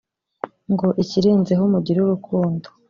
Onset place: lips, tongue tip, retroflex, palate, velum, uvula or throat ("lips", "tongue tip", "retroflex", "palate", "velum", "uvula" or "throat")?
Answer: velum